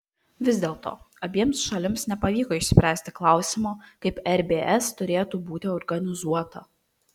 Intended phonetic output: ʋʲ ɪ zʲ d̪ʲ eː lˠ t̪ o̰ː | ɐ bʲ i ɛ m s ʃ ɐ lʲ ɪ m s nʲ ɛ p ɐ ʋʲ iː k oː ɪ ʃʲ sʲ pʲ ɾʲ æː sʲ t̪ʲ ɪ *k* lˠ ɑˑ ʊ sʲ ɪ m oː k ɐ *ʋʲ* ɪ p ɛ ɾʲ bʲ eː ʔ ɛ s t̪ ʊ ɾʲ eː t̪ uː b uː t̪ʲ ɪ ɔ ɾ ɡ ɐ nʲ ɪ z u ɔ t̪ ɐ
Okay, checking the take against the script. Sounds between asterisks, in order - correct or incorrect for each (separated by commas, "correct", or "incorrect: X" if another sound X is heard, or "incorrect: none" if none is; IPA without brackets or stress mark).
correct, incorrect: none